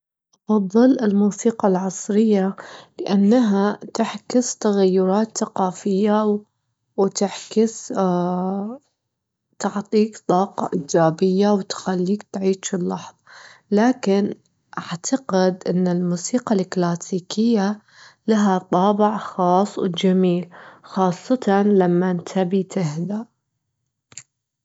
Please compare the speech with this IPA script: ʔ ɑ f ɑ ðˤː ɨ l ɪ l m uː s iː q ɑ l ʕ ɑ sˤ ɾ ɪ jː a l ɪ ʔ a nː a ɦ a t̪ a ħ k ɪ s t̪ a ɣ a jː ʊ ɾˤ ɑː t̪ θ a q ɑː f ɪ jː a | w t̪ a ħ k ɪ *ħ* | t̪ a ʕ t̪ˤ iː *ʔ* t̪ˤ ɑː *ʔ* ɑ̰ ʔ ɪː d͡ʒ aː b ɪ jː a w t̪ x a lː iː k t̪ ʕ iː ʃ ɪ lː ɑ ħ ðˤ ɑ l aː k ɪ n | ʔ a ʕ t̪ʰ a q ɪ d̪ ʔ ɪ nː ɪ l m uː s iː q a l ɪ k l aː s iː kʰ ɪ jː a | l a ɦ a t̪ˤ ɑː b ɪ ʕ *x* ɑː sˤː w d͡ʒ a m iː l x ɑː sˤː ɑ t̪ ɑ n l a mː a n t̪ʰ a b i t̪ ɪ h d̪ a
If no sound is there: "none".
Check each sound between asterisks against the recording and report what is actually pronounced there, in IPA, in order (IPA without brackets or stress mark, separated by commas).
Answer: s, k, q, x